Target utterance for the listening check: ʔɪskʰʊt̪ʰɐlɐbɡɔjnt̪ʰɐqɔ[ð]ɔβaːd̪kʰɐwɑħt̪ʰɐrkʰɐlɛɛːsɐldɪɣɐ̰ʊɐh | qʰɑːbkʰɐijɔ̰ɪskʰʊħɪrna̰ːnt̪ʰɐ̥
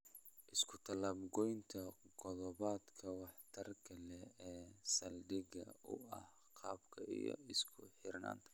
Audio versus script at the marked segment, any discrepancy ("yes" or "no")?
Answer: no